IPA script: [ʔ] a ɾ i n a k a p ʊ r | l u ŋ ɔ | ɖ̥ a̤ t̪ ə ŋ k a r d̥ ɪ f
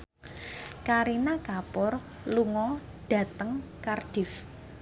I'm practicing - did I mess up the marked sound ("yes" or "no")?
yes